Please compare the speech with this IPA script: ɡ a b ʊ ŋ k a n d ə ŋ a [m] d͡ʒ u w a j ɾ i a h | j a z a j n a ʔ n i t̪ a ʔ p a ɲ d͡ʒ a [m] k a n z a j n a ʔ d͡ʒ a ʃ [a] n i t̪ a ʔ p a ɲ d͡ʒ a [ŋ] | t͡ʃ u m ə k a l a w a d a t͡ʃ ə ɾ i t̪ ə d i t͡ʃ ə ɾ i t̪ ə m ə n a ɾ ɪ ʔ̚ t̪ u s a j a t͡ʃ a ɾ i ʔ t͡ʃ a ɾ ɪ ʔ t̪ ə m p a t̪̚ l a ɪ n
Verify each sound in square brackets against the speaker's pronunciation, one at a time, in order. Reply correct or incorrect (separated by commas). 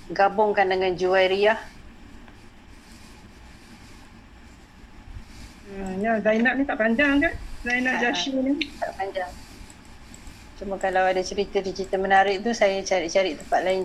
incorrect, incorrect, incorrect, correct